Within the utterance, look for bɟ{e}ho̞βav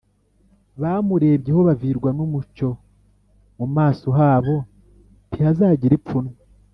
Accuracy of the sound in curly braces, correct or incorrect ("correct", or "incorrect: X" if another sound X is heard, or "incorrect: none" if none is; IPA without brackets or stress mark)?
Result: correct